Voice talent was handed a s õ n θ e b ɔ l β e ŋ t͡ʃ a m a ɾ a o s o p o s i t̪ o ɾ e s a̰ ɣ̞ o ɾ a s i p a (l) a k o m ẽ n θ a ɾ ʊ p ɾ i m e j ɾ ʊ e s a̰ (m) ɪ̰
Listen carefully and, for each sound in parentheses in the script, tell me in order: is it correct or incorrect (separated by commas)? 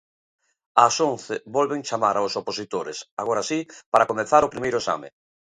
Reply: incorrect, correct